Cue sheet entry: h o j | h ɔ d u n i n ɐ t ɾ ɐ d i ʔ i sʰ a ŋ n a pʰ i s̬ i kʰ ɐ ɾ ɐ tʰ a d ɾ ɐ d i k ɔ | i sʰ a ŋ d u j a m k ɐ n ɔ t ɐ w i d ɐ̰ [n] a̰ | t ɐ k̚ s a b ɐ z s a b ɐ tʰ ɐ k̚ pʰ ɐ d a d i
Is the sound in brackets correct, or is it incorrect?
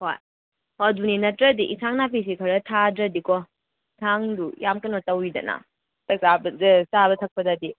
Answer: correct